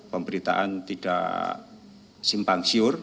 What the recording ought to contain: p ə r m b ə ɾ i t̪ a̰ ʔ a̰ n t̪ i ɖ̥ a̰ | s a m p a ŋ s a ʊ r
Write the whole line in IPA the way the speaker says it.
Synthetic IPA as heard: p ə m b ə ɾ i t̪ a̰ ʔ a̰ n t̪ i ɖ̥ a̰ | s i m p a ŋ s i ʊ r